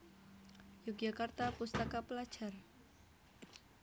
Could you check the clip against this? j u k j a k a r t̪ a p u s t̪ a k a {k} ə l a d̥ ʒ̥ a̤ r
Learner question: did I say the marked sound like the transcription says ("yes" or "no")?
no